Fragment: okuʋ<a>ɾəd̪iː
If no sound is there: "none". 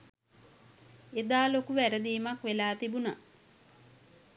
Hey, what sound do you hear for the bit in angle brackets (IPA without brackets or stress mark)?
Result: æ